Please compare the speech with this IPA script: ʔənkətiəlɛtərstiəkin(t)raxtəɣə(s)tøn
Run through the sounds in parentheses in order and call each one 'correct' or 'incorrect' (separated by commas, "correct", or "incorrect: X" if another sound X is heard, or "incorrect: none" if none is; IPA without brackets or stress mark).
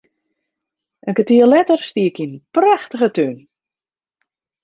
incorrect: p, incorrect: none